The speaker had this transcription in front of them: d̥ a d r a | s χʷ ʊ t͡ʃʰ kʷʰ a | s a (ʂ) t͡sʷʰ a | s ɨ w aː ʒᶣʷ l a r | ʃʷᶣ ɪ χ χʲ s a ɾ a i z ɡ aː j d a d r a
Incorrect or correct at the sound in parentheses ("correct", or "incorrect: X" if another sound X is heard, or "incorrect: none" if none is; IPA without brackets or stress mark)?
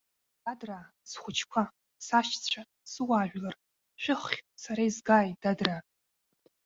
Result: incorrect: ʃ